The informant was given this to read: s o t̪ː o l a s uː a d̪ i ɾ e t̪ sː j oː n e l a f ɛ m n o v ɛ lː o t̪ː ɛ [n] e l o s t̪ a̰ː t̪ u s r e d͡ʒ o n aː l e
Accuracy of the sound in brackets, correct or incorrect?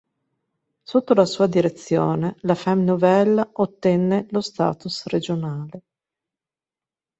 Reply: incorrect